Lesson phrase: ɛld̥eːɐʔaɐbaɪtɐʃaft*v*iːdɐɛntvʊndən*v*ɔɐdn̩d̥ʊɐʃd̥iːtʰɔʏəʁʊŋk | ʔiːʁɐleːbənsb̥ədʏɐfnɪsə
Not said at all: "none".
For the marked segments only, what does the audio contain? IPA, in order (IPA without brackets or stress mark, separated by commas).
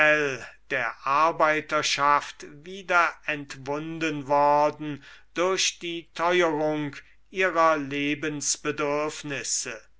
v, v